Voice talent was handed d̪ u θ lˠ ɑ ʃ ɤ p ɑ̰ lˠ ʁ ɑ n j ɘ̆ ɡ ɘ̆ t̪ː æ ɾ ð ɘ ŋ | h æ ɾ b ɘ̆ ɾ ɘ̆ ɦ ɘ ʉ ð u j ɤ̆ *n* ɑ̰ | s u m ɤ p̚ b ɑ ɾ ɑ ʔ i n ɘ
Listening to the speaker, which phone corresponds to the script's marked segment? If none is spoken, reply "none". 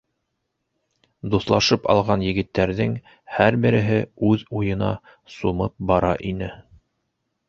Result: n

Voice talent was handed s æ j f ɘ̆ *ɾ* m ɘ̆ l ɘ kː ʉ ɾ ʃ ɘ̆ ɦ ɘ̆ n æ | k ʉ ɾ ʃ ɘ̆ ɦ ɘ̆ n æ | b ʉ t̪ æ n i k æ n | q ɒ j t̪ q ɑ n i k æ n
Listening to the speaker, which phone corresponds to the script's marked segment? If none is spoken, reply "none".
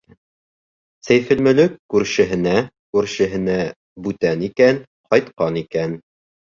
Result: l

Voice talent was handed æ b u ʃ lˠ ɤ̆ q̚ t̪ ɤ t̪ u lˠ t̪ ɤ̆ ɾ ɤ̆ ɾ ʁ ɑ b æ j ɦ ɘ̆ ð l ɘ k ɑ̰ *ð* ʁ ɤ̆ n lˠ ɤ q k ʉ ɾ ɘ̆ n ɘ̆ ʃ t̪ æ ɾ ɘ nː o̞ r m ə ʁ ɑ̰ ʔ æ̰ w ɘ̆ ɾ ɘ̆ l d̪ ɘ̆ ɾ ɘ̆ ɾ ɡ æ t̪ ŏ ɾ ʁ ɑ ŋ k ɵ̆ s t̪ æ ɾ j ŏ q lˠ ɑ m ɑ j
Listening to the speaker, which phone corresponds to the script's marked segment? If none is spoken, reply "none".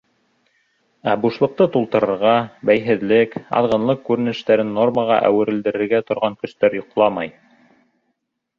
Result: ð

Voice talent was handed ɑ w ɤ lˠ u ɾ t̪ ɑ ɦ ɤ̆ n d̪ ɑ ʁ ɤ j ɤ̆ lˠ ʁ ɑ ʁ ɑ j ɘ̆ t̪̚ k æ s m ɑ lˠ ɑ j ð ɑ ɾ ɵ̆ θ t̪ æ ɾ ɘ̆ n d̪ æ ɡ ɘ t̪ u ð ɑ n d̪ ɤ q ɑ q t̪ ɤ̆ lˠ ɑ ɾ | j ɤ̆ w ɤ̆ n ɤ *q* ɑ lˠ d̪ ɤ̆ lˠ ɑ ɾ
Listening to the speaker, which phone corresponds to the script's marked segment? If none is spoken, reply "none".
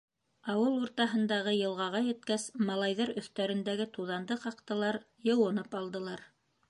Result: p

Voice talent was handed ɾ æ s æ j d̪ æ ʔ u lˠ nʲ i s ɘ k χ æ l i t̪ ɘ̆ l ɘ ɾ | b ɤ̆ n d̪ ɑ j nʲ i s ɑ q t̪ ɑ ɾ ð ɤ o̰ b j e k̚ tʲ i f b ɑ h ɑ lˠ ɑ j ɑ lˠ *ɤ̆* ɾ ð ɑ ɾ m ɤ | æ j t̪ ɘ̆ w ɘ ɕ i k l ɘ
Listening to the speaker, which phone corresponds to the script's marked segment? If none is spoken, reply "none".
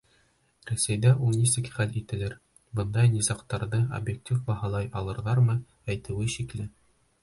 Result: ɤ̆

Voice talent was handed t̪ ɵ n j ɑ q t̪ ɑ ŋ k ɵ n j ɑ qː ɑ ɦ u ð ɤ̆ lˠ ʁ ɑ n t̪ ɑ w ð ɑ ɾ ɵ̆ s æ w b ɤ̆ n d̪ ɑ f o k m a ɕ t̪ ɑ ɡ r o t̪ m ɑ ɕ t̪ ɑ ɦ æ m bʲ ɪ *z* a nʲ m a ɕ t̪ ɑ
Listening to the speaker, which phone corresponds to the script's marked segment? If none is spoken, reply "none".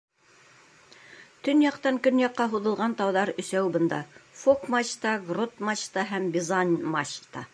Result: z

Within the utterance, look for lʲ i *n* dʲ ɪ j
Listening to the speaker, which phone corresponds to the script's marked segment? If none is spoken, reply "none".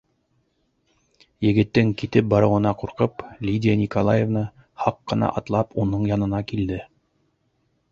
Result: none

